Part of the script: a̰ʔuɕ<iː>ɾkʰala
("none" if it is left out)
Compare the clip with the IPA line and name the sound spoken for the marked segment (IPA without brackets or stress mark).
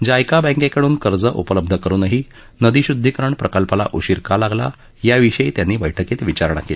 i